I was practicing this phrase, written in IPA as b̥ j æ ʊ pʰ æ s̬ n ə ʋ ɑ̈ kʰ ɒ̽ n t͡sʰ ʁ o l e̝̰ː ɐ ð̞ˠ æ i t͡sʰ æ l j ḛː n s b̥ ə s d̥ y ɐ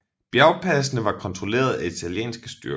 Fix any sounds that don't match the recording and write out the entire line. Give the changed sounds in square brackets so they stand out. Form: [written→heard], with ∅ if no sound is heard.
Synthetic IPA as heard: b̥ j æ ʊ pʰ æ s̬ n ə ʋ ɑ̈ kʰ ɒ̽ n t͡sʰ ʁ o l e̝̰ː ɐ ð̞ˠ æ i t͡sʰ æ l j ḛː n s [b̥→ɡ̥] ə s d̥ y ɐ

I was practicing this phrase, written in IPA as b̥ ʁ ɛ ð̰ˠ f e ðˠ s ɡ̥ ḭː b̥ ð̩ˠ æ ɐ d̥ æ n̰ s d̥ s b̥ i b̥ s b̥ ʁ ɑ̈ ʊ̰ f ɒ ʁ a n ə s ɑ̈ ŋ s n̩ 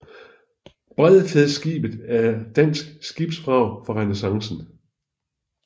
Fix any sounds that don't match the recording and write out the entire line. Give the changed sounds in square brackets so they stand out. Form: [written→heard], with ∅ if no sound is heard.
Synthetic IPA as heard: b̥ ʁ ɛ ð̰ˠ f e ðˠ s ɡ̥ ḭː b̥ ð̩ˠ æ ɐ d̥ æ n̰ s [d̥→ɡ̥] s [b̥→ɡ̥] i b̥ s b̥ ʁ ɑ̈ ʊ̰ f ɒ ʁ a n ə s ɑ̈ ŋ s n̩

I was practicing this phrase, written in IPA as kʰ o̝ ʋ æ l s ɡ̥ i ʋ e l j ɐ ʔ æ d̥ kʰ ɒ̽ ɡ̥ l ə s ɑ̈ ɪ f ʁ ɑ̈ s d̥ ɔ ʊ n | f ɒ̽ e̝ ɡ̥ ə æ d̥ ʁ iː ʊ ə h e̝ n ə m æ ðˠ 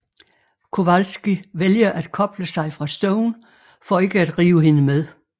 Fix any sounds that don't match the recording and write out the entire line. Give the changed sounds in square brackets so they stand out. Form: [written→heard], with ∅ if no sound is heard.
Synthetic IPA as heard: kʰ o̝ ʋ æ l s ɡ̥ i ʋ e l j ɐ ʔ æ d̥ kʰ ɒ̽ [ɡ̥→b̥] l ə s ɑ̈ ɪ f ʁ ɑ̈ s d̥ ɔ ʊ n | f ɒ̽ e̝ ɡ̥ ə æ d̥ ʁ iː ʊ ə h e̝ n ə m [æ→e] ðˠ

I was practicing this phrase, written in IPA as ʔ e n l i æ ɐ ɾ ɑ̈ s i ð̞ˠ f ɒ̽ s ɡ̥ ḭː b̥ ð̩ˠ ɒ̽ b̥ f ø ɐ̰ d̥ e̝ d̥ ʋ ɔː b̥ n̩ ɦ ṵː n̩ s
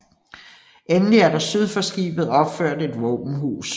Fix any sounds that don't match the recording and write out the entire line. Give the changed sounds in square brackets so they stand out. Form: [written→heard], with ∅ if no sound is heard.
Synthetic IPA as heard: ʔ e n l i æ ɐ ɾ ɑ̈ s [i→y] ð̞ˠ f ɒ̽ s ɡ̥ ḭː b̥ ð̩ˠ ɒ̽ b̥ f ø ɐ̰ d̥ e̝ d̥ ʋ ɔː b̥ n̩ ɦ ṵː [n̩→∅] s

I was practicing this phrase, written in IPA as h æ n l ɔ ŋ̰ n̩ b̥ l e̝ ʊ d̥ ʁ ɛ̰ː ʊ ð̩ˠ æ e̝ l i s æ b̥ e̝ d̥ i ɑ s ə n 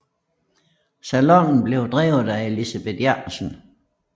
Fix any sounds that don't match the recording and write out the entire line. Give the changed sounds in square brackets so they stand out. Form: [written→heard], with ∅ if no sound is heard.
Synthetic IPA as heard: [h→s] æ [n→∅] l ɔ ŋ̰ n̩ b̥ l e̝ ʊ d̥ ʁ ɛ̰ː ʊ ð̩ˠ æ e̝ l i s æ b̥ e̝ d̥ [i→j] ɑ s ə n

